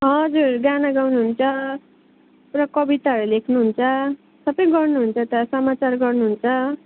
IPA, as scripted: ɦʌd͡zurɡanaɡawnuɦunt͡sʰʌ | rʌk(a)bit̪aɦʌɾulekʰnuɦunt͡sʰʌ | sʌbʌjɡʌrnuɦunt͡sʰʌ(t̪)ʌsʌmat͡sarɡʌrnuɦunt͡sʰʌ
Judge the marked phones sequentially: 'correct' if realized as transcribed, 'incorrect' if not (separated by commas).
incorrect, correct